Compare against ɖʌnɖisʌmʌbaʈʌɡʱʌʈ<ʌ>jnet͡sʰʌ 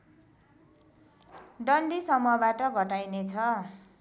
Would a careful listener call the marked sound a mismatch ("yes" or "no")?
yes